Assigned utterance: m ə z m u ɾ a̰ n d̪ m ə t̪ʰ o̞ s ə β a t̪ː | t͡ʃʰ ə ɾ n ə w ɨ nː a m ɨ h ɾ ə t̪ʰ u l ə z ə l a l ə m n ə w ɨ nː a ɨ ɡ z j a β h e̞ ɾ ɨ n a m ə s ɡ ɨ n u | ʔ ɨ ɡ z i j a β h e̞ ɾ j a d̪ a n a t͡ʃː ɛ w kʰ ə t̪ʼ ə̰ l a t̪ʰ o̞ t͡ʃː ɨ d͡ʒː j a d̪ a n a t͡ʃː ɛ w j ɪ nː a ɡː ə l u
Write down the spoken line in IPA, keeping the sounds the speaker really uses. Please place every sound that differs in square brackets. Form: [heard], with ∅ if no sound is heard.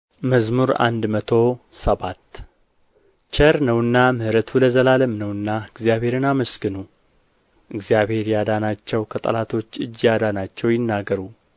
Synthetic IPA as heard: m ə z m u ɾ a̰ n d̪ m ə t̪ʰ o̞ s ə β a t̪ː | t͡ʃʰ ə ɾ n ə w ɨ nː a m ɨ h ɾ ə t̪ʰ u l ə z ə l a l ə m n ə w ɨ nː a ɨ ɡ z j a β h e̞ ɾ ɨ n a m ə s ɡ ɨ n u | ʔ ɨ ɡ z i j a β h e̞ ɾ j a d̪ a n a t͡ʃː ɛ w kʰ ə t̪ʼ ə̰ l a t̪ʰ o̞ t͡ʃː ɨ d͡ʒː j a d̪ a n a t͡ʃː ɛ w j ɪ nː a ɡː ə [ɾ] u